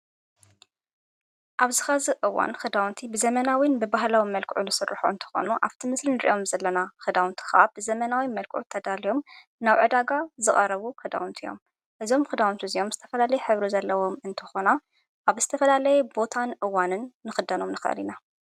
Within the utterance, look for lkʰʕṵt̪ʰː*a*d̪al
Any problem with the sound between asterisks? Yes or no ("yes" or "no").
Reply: yes